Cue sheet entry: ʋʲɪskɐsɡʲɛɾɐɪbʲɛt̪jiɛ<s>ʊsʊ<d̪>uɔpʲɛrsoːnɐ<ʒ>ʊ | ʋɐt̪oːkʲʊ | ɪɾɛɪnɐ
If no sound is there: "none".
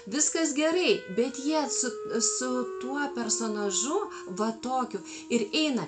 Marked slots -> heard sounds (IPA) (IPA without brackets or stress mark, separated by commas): s, t̪, ʒ